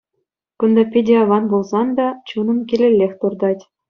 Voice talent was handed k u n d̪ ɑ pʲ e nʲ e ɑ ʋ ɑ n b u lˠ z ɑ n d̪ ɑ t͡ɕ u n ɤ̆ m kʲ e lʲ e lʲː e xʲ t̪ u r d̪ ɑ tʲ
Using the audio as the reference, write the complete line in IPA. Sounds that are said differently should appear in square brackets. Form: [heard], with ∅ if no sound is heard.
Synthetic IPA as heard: k u n d̪ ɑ pʲ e [dʲ] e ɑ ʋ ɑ n b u lˠ z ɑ n d̪ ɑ t͡ɕ u n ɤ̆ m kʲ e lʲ e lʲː e xʲ t̪ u r d̪ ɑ tʲ